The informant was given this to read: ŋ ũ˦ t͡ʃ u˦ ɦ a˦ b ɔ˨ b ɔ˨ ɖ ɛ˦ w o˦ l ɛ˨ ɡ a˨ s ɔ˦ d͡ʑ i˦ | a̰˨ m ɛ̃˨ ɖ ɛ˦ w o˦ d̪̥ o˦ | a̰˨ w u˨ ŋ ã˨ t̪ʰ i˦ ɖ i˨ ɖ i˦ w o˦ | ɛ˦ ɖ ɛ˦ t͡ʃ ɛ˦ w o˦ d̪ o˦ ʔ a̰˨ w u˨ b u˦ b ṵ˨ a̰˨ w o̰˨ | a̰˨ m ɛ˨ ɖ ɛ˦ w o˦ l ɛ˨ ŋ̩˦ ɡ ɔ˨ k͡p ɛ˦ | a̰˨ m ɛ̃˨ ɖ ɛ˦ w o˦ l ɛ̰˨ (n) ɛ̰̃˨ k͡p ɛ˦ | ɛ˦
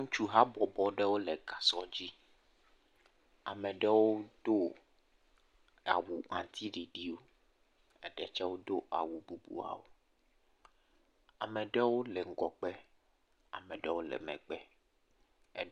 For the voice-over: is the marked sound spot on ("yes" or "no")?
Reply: no